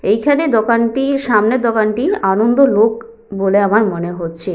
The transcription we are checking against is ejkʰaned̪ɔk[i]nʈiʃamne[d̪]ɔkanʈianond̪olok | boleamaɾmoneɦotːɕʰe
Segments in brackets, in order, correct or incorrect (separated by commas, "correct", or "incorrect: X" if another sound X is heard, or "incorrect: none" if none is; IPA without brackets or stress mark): incorrect: a, correct